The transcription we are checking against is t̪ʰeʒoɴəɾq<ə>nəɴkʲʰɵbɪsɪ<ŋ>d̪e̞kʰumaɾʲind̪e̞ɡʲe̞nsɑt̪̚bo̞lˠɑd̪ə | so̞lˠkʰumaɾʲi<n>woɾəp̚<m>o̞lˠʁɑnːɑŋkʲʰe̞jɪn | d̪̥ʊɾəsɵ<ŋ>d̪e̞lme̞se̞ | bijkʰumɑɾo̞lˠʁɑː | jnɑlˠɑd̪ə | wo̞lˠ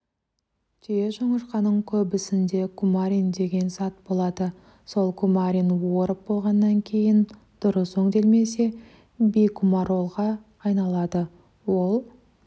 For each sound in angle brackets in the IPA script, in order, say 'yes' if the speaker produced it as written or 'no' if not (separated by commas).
no, no, yes, no, yes